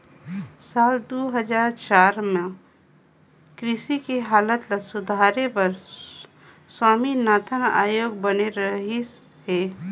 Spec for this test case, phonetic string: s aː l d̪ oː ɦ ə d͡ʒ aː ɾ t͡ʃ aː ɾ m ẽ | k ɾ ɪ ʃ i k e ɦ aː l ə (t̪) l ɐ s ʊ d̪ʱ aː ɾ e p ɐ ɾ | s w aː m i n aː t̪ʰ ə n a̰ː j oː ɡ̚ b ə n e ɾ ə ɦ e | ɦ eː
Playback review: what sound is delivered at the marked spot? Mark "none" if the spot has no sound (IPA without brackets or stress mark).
t̪